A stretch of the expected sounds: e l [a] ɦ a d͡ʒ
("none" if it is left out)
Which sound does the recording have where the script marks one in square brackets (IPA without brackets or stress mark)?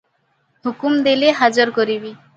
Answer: e